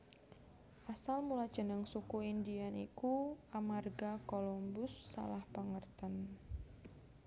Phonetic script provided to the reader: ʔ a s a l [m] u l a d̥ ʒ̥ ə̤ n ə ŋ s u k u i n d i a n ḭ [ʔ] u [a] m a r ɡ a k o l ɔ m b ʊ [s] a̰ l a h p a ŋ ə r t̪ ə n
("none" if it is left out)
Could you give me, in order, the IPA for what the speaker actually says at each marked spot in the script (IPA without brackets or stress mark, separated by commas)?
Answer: m, k, a, sː